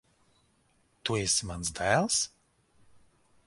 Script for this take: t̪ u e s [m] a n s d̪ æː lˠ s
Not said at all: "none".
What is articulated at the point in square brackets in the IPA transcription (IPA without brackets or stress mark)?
m